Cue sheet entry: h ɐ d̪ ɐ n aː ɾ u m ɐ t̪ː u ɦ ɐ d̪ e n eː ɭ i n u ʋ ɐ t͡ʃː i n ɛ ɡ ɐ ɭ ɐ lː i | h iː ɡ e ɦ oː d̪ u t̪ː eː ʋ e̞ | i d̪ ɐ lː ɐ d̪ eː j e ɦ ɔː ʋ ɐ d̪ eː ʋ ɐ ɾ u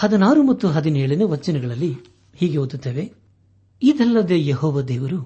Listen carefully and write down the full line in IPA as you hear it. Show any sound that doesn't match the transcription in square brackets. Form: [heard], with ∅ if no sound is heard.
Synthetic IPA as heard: h ɐ d̪ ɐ n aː ɾ u m ɐ t̪ː u ɦ ɐ d̪ [i] n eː ɭ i n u ʋ ɐ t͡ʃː i n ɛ ɡ ɐ ɭ ɐ lː i | h iː ɡ e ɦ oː d̪ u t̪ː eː ʋ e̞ | i d̪ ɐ lː ɐ d̪ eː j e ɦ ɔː ʋ ɐ d̪ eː ʋ ɐ ɾ u